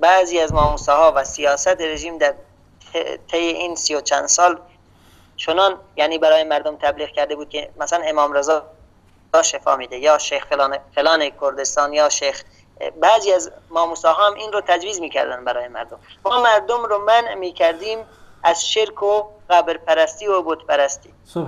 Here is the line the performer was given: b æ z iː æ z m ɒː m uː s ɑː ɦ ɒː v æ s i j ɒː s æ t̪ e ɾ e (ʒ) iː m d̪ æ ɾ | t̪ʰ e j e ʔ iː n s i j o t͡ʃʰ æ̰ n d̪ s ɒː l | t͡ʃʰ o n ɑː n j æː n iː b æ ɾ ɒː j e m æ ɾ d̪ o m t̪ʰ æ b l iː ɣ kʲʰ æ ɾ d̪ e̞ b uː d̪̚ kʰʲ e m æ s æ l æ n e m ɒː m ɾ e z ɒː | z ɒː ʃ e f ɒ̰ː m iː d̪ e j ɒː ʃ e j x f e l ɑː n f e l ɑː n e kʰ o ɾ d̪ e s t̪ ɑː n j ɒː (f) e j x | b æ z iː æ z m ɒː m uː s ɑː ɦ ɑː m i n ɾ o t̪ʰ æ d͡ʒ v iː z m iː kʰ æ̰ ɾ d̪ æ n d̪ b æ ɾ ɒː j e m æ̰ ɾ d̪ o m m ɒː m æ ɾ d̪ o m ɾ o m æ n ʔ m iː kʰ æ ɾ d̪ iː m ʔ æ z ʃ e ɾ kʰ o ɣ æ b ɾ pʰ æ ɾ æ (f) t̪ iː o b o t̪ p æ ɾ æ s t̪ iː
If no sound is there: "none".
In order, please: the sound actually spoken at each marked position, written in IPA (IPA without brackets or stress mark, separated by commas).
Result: ʒ, ʃ, s